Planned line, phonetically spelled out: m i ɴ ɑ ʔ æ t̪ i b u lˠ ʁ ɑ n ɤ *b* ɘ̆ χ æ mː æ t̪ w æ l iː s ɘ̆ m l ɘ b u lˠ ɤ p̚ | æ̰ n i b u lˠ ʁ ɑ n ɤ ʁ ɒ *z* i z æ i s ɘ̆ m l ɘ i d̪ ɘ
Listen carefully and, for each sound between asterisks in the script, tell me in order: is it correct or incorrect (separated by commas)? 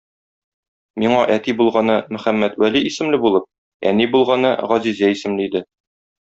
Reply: incorrect, correct